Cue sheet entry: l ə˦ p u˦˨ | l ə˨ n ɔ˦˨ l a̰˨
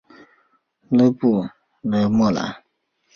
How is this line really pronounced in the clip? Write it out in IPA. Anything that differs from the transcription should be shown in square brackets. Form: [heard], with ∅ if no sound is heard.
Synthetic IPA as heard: l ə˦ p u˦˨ | l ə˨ [m] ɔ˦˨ l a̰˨